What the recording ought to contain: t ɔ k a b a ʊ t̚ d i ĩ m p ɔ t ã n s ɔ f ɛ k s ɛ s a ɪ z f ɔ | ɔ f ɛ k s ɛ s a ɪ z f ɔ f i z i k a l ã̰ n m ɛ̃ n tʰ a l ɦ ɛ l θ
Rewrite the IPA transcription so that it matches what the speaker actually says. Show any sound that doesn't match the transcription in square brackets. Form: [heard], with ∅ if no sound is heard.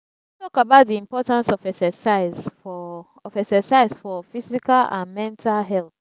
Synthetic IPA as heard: t ɔ k a b a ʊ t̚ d i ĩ m p ɔ t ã n s ɔ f ɛ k s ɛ s a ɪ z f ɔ | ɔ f ɛ k s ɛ s a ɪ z f ɔ f i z i k a l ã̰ n m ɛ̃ n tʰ a l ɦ ɛ l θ